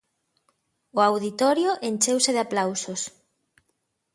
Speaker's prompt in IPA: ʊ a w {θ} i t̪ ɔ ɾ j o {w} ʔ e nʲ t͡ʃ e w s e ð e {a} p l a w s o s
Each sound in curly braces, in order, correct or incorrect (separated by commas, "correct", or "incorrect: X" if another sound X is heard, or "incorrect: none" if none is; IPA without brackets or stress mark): incorrect: ð, incorrect: none, correct